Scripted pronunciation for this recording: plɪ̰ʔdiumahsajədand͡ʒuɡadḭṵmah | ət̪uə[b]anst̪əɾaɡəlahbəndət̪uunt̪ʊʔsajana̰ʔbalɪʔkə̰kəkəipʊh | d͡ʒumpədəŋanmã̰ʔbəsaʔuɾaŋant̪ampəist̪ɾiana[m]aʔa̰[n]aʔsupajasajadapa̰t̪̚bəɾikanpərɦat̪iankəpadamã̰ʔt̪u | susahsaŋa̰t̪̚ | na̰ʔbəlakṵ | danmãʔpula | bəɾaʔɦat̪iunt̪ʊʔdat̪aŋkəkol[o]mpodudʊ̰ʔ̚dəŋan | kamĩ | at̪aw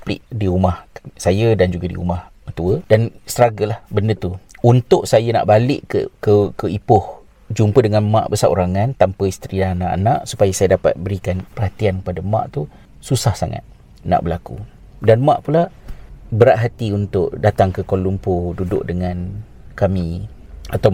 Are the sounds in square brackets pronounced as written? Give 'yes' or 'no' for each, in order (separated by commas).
no, no, yes, no